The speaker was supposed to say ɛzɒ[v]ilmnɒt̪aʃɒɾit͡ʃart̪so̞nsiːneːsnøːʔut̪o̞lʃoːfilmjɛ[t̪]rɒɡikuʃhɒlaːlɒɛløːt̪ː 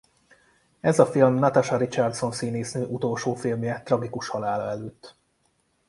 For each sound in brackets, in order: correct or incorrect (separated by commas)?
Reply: incorrect, correct